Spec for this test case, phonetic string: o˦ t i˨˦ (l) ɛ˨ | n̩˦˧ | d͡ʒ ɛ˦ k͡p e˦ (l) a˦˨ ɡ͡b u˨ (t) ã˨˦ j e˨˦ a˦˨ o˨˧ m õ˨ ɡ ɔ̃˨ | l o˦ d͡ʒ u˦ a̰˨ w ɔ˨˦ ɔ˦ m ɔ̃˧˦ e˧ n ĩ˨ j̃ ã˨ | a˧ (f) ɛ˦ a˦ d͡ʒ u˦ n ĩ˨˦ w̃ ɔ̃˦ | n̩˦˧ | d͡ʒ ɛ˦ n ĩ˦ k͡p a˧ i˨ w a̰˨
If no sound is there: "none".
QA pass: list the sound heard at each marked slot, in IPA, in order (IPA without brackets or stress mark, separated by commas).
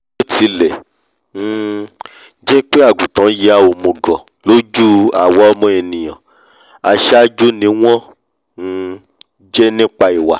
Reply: l, none, t, ʃ